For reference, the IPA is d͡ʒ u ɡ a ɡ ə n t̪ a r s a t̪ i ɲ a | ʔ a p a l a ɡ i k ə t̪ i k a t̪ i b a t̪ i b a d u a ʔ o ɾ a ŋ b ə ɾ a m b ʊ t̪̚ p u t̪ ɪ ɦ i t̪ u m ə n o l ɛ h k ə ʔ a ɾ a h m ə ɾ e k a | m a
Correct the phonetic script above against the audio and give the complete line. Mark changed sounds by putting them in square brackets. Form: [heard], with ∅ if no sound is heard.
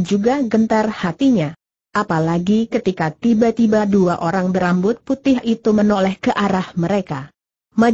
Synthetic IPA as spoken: d͡ʒ u ɡ a ɡ ə n t̪ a r [h] a t̪ i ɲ a | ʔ a p a l a ɡ i k ə t̪ i k a t̪ i b a t̪ i b a d u a ʔ o ɾ a ŋ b ə ɾ a m b ʊ t̪̚ p u t̪ ɪ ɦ i t̪ u m ə n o l ɛ h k ə ʔ a ɾ a h m ə ɾ e k a | m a

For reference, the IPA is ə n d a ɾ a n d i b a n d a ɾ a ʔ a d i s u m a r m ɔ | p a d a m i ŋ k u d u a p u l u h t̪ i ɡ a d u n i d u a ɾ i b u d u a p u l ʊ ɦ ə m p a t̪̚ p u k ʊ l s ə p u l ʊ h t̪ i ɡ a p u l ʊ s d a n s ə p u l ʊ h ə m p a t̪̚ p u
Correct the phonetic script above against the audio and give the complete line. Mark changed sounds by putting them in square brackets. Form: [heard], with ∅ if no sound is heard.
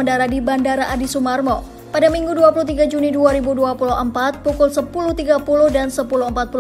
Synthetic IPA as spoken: ə n d a ɾ a [∅] d i b a n d a ɾ a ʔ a d i s u m a r m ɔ | p a d a m i ŋ [ɡ] u d u a p u l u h t̪ i ɡ a [d͡ʒ] u n i d u a ɾ i b u d u a p u l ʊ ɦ ə m p a t̪̚ p u k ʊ l s ə p u l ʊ h t̪ i ɡ a p u l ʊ [h] d a n s ə p u l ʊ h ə m p a t̪̚ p u

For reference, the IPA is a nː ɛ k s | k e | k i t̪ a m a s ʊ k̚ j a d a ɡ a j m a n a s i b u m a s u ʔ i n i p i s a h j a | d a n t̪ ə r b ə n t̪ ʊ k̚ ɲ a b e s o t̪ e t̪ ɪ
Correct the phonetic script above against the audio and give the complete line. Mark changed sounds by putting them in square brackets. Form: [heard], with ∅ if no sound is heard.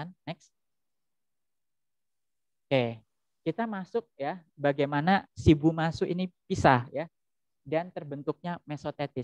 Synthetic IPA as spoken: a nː ɛ k s | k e | k i t̪ a m a s ʊ k̚ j a [b] a ɡ a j m a n a s i b u m a s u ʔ i n i p i s a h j a | d a n t̪ ə r b ə n t̪ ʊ k̚ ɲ a [m] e s o t̪ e t̪ ɪ

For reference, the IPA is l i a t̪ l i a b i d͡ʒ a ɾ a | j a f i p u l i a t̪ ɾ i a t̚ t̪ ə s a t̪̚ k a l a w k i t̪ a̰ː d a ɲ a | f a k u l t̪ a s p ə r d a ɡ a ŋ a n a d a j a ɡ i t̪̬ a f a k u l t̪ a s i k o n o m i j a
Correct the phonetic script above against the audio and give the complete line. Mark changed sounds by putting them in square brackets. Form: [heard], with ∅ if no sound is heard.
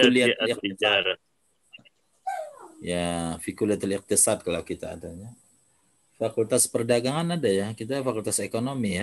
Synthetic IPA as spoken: l i a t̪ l i a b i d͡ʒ a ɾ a | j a f i [k] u l i a t̪ [l] i a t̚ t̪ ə s a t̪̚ k a l a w k i t̪ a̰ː d a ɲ a | f a k u l t̪ a s p ə r d a ɡ a ŋ a n a d a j a [k] i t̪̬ a f a k u l t̪ a s [e] k o n o m i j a

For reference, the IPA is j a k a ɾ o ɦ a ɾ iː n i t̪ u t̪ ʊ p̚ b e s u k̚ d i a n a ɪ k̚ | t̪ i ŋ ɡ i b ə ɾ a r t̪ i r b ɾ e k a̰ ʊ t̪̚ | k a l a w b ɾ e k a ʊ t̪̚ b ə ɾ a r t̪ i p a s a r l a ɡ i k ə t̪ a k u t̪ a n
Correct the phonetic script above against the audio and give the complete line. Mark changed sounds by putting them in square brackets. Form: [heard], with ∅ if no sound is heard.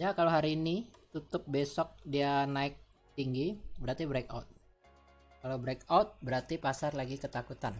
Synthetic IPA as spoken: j a k a [l] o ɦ a ɾ iː n i t̪ u t̪ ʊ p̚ b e s [ɔ] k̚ d i a n a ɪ k̚ | t̪ i ŋ ɡ i b ə ɾ a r t̪ i [∅] b ɾ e k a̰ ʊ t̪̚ | k a l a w b ɾ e k a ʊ t̪̚ b ə ɾ a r t̪ i p a s a r l a ɡ i k ə t̪ a k u t̪ a n

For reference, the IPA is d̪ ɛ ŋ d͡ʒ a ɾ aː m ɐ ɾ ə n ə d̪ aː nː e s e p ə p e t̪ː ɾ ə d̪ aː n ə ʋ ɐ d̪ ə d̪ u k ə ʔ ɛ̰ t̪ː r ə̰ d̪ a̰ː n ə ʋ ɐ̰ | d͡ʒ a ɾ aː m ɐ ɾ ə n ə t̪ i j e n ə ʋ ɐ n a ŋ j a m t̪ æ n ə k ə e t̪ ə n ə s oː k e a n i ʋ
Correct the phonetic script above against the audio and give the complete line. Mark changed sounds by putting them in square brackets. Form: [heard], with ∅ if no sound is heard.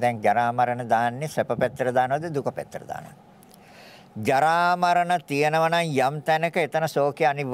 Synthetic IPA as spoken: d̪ ɛ ŋ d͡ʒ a ɾ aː m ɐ ɾ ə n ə d̪ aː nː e s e p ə p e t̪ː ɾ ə d̪ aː n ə ʋ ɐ d̪ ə d̪ u k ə [p] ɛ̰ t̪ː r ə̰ d̪ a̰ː n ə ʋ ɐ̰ | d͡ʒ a ɾ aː m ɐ ɾ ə n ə t̪ i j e n ə ʋ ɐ n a ŋ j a m t̪ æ n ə k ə e t̪ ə n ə s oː k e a n i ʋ

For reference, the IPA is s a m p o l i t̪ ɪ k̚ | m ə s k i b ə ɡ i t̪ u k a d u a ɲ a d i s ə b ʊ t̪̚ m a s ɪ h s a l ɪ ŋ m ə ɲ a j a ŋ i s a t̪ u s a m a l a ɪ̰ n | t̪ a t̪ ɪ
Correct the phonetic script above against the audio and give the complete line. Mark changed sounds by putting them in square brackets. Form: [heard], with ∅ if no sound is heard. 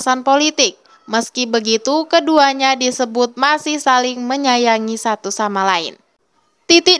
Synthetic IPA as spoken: s a [n] p o l i t̪ ɪ k̚ | m ə s k i b ə ɡ i t̪ u k [ə] d u a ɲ a d i s ə b ʊ t̪̚ m a s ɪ h s a l ɪ ŋ m ə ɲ a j a ŋ i s a t̪ u s a m a l a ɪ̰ n | t̪ [i] t̪ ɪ

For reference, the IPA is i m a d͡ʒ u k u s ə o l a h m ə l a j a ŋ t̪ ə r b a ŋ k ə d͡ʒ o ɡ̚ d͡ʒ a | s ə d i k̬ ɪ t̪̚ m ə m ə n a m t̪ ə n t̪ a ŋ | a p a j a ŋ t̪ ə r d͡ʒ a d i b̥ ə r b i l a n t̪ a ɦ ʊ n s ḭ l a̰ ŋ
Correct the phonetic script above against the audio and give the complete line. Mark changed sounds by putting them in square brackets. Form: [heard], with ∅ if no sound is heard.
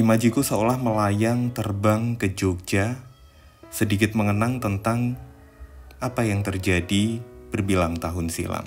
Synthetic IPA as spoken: i m a d͡ʒ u k u s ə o l a h m ə l a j a ŋ t̪ ə r b a ŋ k ə d͡ʒ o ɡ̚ d͡ʒ a | s ə d i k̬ ɪ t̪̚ m ə [ŋ] ə n a [ŋ] t̪ ə n t̪ a ŋ | a p a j a ŋ t̪ ə r d͡ʒ a d i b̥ ə r b i l a [ŋ] t̪ a ɦ ʊ n s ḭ l a̰ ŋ

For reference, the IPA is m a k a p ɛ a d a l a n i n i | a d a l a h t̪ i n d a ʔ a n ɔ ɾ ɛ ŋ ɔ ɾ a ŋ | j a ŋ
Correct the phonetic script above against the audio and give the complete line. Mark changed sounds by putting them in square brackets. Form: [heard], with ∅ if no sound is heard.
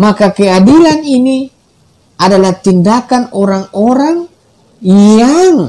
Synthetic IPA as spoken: m a k a [k] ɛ a d [i] l a n i n i | a d a l a h t̪ i n d a [k] a n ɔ ɾ [a] ŋ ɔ ɾ a ŋ | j a ŋ

